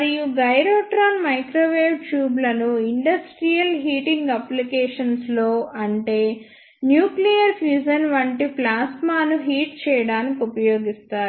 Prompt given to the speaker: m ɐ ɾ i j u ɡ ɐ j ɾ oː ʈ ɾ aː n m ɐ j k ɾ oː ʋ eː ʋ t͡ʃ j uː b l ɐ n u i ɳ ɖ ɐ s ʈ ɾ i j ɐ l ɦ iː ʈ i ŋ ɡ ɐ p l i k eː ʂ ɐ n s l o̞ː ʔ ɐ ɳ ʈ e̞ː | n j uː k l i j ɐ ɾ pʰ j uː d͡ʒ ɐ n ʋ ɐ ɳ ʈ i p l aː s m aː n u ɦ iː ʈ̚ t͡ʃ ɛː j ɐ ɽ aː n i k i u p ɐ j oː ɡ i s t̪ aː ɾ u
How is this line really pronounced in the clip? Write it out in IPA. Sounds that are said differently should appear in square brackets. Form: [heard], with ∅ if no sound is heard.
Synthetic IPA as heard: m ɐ ɾ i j u ɡ ɐ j ɾ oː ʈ ɾ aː n m ɐ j k ɾ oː ʋ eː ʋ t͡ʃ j uː b l ɐ n u i ɳ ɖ ɐ s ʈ ɾ i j ɐ l ɦ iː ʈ i ŋ ɡ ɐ p l i k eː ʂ ɐ n s l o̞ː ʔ ɐ ɳ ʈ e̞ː | n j uː k l i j ɐ ɾ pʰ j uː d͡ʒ ɐ n ʋ ɐ ɳ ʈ i p l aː s m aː n u ɦ iː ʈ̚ t͡ʃ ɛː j ɐ ɽ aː n i k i u p ɐ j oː ɡ i s t̪ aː ɾ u